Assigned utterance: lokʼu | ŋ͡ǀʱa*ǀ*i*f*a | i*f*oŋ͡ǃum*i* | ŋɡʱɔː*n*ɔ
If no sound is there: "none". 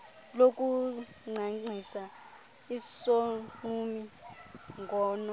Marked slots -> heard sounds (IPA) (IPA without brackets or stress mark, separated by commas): ŋ͡ǀ, s, s, i, n